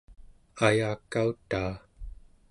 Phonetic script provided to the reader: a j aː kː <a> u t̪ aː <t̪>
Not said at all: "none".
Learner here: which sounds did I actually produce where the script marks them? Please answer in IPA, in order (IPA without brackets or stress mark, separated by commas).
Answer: a, none